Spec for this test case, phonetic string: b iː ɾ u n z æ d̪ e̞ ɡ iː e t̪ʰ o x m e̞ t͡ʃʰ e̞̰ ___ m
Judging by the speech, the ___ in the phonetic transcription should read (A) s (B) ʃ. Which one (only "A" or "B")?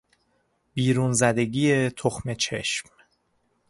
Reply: B